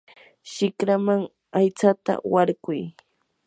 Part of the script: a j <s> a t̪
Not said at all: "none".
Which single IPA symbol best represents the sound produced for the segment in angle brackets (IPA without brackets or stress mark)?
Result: t͡s